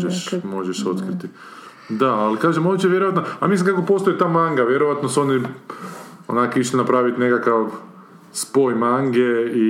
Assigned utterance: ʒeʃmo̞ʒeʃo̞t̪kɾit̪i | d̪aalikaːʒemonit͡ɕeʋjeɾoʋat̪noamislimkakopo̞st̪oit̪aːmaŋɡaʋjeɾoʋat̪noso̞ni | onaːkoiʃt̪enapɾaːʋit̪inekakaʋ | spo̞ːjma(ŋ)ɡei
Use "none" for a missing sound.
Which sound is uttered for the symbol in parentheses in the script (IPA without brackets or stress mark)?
ŋ